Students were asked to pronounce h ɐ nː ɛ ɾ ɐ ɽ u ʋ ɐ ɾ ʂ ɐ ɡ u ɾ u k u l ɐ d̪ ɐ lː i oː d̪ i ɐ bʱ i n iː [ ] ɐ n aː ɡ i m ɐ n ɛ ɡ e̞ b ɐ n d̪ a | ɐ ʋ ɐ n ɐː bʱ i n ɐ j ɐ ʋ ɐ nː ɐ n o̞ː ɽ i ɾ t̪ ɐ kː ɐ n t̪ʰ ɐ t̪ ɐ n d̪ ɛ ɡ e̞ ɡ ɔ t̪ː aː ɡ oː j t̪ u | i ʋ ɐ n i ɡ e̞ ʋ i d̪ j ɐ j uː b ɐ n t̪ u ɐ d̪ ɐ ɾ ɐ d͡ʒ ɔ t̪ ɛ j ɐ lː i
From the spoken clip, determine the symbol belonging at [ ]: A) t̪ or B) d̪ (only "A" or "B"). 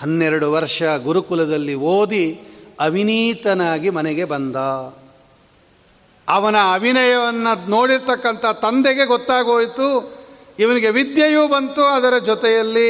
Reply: A